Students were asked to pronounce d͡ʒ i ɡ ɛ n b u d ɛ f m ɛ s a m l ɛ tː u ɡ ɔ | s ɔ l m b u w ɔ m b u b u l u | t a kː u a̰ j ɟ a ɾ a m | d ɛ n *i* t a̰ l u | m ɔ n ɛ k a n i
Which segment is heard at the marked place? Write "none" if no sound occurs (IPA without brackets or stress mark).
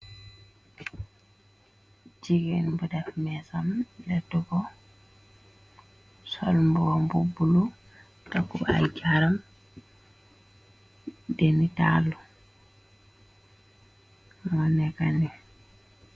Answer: i